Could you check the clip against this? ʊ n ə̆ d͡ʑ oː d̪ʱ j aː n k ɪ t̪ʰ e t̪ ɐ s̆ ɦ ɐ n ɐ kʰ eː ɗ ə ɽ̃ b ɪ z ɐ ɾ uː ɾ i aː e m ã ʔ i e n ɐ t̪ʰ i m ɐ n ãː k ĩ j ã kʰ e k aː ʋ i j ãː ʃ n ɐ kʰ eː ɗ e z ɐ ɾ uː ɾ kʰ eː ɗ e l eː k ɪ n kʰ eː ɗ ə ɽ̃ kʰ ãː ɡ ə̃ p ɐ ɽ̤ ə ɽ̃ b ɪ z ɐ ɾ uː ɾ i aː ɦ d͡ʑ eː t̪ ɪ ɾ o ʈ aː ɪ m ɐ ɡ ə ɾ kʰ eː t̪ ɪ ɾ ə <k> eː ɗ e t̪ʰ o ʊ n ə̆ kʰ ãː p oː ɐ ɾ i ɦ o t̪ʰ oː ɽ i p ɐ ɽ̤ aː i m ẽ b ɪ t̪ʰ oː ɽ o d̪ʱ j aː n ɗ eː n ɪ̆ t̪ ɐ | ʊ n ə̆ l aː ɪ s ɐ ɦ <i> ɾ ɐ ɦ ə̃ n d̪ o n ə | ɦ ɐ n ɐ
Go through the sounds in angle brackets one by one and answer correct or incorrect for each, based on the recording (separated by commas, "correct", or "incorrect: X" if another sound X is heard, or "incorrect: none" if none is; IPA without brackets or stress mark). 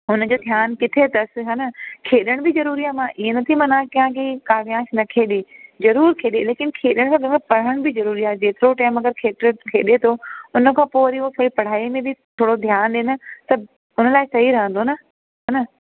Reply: incorrect: kʰ, correct